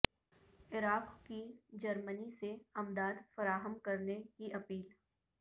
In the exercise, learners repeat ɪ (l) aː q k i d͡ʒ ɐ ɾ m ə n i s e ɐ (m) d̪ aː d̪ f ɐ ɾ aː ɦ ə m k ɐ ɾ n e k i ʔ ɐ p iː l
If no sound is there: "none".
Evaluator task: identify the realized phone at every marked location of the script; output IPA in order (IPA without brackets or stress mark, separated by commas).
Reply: ɾ, m